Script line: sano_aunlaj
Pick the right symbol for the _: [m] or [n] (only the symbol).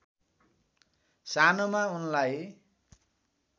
m